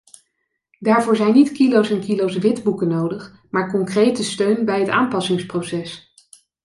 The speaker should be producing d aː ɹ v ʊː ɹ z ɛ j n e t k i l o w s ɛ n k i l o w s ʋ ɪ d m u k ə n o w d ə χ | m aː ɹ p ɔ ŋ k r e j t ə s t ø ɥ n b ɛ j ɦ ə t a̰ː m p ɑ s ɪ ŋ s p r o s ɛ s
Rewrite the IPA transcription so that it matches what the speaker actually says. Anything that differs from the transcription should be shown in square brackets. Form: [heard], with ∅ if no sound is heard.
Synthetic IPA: d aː ɹ v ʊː ɹ z ɛ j n [i] t k i l o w s ɛ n k i l o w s ʋ ɪ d [b] u k ə n o w d ə χ | m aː ɹ [k] ɔ ŋ k r e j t ə s t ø ɥ n b ɛ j ɦ ə t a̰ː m p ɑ s ɪ ŋ s p r o s ɛ s